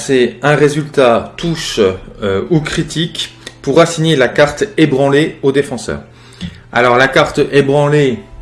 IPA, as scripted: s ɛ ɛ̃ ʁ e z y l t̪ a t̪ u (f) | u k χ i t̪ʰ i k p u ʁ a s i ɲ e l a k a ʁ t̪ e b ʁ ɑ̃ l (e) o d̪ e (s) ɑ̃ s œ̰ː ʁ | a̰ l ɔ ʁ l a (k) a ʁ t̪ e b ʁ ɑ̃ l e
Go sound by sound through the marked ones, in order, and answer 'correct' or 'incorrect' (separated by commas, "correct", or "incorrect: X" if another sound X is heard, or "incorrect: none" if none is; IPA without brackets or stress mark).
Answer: incorrect: ʃ, correct, incorrect: f, correct